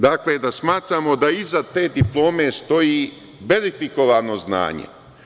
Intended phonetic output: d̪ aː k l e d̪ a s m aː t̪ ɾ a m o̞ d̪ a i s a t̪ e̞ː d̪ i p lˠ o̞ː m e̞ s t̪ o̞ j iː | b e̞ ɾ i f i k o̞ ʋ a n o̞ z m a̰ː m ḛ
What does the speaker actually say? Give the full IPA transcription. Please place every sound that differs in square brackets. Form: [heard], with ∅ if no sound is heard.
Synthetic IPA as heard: d̪ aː k l e d̪ a s m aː t̪ ɾ a m o̞ d̪ a i [z] a t̪ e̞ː d̪ i p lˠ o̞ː m e̞ s t̪ o̞ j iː | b e̞ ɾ i f i k o̞ ʋ a n o̞ z [n] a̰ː [ɲ] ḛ